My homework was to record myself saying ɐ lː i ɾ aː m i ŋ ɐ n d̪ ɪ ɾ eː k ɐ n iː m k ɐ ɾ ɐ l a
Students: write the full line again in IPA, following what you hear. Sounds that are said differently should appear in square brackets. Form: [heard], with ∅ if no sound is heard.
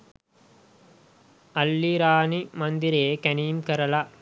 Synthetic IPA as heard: ɐ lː i ɾ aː [n] i [m] ɐ n d̪ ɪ ɾ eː k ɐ n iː m k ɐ ɾ ɐ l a